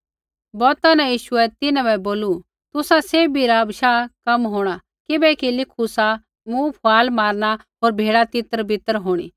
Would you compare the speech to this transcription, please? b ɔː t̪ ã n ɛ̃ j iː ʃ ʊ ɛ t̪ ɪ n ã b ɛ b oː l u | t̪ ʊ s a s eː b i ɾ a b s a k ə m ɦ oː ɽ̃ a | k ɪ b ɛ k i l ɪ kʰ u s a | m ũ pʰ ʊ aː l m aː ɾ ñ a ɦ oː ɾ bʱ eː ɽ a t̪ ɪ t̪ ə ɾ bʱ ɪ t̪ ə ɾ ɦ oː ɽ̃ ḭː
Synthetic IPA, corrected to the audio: b ɔː t̪ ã n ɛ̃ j iː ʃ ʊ ɛ t̪ ɪ n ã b ɛ b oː l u | t̪ ʊ s a s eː b i ɾ a b ʃ a k ɐ m ɦ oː ɽ̃ a | k ɪ b ɛ k i l ɪ kʰ u s a | m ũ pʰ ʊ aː l m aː ɾ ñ a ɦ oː ɾ bʱ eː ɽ a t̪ ɪ t̪ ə ɾ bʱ ɪ t̪ ə ɾ ɦ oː ɽ̃ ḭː